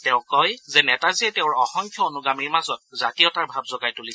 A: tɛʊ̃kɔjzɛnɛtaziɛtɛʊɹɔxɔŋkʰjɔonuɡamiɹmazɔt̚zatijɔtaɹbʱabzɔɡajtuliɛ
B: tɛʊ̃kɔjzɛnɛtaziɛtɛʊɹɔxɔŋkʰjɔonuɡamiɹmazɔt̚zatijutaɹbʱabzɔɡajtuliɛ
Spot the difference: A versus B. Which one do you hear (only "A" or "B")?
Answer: A